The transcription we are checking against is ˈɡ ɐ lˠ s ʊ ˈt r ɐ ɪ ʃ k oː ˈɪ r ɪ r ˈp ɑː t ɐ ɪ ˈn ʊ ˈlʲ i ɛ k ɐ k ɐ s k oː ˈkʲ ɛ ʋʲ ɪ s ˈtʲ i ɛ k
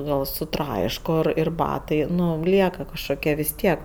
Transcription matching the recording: ˈɡ ɐ lˠ s ʊ ˈt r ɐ ɪ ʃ k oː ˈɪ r ɪ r ˈb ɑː t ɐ ɪ ˈn ʊ ˈlʲ i ɛ k ɐ k ɐ ʃ k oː ˈkʲ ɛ ʋʲ ɪ s ˈtʲ i ɛ k